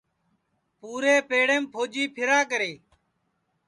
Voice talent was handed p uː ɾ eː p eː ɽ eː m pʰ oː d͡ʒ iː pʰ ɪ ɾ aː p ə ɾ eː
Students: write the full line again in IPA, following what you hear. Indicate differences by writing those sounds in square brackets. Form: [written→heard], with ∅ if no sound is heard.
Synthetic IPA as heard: p uː ɾ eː p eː ɽ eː m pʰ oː d͡ʒ iː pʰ ɪ ɾ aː [p→k] ə ɾ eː